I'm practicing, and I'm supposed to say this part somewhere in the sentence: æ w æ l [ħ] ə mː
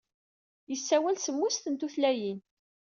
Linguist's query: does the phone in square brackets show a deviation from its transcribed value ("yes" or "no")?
yes